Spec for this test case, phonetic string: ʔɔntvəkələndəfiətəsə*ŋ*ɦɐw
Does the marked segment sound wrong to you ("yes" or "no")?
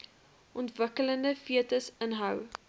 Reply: yes